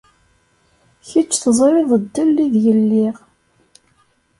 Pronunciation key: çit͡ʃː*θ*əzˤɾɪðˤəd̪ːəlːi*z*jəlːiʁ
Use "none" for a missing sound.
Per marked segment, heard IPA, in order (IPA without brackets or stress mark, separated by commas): θ, ð